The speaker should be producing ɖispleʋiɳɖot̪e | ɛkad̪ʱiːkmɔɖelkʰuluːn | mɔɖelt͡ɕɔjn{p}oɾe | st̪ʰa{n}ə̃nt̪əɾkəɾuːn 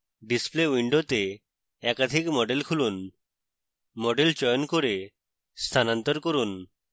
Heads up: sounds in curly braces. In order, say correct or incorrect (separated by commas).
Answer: incorrect, correct